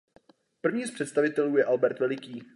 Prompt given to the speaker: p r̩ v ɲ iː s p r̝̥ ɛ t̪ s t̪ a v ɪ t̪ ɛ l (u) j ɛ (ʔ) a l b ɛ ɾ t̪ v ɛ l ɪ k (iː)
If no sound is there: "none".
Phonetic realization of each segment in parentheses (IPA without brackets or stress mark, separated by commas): uː, ʔ, iː